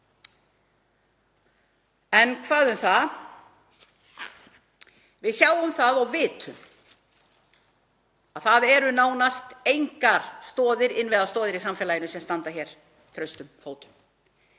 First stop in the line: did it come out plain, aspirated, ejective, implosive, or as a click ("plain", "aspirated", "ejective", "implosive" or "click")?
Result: aspirated